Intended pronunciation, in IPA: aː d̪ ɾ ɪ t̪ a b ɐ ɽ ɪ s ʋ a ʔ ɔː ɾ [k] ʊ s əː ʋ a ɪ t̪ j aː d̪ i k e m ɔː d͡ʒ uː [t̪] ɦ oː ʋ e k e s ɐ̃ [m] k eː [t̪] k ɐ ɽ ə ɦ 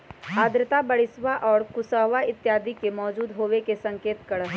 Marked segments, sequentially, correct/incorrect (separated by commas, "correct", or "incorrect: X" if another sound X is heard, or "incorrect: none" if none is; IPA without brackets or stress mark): correct, incorrect: d̪, incorrect: ŋ, correct